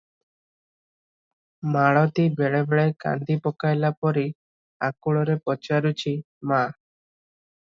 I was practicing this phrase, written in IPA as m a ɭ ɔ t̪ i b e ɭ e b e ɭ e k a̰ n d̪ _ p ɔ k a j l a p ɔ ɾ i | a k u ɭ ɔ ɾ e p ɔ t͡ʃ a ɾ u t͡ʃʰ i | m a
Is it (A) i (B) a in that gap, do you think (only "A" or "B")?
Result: A